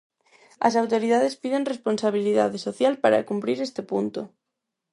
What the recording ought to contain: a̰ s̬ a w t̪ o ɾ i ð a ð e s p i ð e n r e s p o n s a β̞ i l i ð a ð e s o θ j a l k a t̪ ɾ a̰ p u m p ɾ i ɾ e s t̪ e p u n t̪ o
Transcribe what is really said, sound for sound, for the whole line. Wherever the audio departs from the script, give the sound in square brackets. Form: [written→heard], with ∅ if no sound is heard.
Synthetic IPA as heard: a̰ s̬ a w t̪ o ɾ i ð a ð e s p i ð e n r e s p o n s a β̞ i l i ð a ð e s o θ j a l [k→p] a [t̪→∅] ɾ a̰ [p→k] u m p ɾ i ɾ e s t̪ e p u n t̪ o